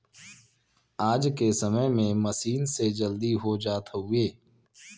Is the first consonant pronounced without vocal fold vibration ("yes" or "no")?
no